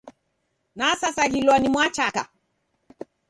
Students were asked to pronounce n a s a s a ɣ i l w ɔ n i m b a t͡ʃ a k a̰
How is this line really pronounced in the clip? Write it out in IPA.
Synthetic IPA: n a s a s a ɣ i l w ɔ n i m w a t͡ʃ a k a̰